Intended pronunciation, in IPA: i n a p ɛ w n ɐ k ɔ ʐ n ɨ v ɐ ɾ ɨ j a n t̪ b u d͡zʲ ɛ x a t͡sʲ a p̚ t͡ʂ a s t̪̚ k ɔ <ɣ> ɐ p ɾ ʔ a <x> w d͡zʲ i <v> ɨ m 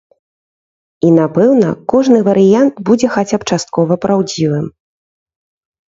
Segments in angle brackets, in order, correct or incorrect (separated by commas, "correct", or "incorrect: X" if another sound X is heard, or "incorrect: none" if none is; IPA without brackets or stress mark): incorrect: v, incorrect: none, correct